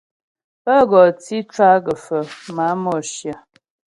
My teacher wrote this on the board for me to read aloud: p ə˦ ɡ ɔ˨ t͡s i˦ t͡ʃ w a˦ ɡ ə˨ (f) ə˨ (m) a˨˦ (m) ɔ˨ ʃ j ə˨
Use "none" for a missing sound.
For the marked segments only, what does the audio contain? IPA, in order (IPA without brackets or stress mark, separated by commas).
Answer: f, m, m